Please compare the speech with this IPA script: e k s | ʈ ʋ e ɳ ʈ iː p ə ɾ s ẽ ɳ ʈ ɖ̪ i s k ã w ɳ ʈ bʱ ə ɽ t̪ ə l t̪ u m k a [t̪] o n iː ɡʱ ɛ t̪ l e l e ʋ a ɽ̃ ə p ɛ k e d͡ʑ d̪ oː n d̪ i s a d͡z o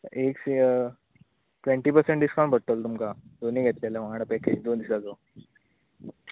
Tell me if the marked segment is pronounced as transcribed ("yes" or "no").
no